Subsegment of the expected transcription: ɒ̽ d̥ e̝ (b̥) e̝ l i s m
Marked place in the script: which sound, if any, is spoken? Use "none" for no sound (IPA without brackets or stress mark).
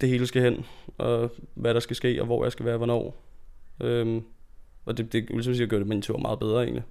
d̥